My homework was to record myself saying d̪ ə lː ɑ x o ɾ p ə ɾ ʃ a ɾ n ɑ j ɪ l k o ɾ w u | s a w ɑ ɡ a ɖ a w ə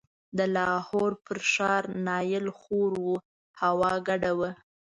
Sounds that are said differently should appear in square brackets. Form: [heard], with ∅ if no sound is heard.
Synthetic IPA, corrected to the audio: d̪ ə [l] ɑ [h] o ɾ p ə ɾ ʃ [ɑ] ɾ n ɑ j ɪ l [x] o ɾ w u | [h] a w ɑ ɡ a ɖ a w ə